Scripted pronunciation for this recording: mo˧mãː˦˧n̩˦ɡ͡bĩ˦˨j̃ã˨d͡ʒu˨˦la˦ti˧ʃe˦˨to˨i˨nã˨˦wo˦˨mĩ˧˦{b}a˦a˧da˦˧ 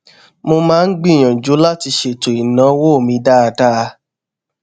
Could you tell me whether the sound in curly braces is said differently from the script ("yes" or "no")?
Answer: yes